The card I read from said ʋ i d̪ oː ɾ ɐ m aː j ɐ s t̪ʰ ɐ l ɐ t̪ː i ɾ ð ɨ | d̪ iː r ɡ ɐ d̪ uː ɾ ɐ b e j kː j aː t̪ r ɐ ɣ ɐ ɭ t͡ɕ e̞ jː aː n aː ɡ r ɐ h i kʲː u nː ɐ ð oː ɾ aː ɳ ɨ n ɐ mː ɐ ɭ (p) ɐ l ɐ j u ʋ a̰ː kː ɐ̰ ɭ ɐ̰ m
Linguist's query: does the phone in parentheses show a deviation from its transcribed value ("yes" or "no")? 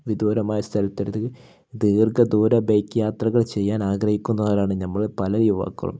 no